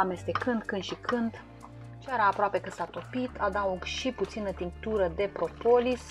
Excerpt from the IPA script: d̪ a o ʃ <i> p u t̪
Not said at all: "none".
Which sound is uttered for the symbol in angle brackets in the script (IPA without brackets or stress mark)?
i